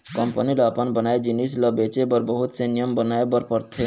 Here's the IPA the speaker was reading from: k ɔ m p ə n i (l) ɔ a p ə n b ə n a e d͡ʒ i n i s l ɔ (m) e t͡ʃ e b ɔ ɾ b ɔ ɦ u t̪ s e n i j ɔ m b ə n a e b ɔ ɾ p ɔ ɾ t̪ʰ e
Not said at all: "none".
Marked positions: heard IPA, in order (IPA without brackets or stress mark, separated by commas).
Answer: l, b